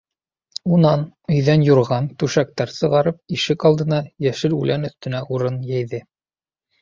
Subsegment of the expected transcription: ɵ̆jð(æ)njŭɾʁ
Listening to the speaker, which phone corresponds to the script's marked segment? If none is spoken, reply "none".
æ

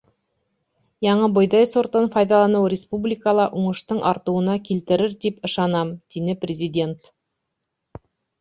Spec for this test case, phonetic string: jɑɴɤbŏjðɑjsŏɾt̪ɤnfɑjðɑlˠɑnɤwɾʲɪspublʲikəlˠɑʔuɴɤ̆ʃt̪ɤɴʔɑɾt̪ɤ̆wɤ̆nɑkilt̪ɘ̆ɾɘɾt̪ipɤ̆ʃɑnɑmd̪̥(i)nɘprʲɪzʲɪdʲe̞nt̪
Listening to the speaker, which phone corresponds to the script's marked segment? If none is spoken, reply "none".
i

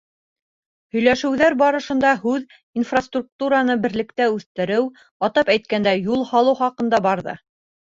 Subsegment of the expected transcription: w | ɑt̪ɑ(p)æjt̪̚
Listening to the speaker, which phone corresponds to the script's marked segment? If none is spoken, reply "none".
p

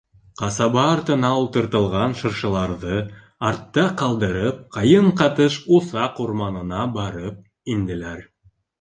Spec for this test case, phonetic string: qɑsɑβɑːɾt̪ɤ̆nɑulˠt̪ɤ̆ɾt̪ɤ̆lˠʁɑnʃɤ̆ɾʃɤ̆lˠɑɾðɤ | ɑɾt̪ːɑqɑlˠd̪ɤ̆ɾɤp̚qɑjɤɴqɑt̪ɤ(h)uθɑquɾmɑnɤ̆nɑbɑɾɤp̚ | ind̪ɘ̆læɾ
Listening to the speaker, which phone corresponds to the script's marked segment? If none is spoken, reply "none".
ʃ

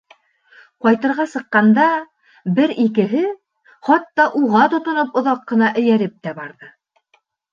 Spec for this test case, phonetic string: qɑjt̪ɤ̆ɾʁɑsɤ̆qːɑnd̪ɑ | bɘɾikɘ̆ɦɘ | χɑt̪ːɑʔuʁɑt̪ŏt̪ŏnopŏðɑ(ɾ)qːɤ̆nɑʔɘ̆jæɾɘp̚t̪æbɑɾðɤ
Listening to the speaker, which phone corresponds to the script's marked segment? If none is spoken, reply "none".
none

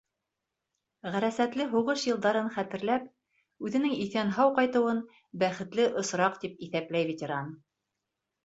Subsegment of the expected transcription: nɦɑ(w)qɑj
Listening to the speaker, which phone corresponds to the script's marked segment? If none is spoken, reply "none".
w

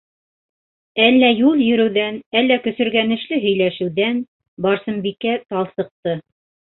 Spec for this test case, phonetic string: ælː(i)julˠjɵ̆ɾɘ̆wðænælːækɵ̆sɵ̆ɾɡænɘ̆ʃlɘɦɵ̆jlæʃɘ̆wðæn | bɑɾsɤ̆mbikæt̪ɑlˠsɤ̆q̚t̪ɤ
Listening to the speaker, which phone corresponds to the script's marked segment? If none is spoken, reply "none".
æ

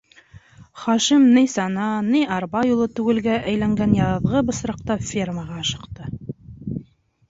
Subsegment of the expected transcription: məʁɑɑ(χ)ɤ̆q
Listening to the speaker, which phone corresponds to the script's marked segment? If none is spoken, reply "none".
ʃ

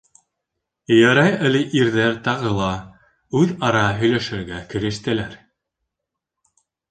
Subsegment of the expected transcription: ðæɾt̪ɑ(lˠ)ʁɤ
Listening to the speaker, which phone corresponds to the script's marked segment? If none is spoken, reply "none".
none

